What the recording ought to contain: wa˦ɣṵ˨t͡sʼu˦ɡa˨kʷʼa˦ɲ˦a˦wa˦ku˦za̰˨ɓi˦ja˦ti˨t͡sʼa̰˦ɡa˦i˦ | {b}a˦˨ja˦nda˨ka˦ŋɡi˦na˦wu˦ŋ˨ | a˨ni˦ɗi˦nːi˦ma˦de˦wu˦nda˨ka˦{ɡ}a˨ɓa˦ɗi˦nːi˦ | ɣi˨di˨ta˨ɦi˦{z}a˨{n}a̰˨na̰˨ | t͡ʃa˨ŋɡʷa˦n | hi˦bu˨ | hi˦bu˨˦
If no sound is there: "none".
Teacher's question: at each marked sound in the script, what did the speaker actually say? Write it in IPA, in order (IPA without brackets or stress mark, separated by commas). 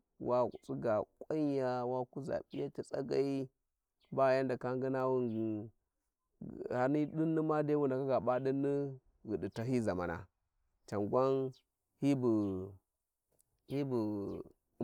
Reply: b, ɡ, z, m